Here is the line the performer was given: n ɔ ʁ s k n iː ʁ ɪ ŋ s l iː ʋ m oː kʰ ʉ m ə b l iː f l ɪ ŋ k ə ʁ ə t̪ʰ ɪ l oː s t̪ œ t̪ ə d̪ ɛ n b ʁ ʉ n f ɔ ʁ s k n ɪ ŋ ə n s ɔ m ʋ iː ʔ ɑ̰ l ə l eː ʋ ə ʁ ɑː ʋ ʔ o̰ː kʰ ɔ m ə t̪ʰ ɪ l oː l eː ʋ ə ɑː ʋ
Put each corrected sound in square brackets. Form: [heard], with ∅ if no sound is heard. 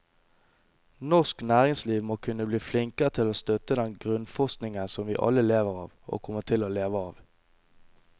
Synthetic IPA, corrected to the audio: n ɔ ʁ s k n [æː] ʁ ɪ ŋ s l iː ʋ m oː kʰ ʉ [n] ə b l iː f l ɪ ŋ k ə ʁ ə t̪ʰ ɪ l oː s t̪ œ t̪ ə d̪ ɛ n [ɡ] ʁ ʉ n f ɔ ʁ s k n ɪ ŋ ə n s ɔ m ʋ iː ʔ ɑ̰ l ə l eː ʋ ə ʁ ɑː ʋ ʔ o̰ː kʰ ɔ m ə t̪ʰ ɪ l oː l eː ʋ ə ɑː ʋ